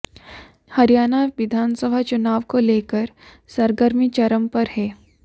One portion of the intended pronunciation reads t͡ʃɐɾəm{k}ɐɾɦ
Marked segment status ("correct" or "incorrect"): incorrect